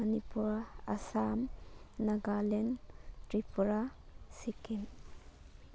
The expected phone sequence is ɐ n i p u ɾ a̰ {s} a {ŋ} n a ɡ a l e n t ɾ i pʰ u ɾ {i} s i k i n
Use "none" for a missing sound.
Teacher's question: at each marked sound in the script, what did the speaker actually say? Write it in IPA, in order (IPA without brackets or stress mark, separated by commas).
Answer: s, m, a